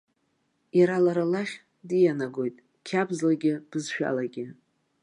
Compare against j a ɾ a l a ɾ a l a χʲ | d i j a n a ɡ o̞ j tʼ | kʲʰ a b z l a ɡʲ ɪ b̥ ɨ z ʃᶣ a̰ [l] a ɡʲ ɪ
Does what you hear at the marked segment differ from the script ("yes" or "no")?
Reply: no